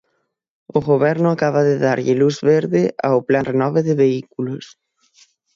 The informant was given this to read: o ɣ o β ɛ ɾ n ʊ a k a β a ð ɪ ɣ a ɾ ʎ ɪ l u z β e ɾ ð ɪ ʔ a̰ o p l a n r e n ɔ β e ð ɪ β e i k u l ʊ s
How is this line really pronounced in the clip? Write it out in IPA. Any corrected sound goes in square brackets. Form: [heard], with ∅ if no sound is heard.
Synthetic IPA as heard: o ɣ o β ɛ ɾ n ʊ a k a β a ð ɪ [ð] a ɾ ʎ ɪ l u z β e ɾ ð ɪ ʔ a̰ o p l a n r e n ɔ β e ð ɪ β e i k u l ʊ s